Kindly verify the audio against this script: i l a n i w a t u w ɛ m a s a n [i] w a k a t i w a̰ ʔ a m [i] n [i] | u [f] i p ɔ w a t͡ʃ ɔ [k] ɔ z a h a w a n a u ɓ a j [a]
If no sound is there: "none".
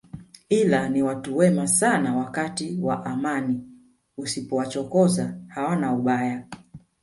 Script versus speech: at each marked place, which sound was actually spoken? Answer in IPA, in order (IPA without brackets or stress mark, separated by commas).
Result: a, a, i, s, k, a